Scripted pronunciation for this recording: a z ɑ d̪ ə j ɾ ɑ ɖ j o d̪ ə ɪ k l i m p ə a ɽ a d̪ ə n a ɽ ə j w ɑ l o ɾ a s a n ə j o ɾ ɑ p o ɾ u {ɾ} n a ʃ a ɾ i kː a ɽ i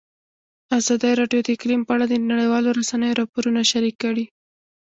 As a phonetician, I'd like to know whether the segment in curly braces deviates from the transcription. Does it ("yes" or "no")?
yes